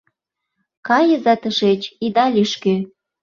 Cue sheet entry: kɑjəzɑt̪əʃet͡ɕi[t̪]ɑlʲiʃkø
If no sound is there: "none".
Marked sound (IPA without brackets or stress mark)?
d̪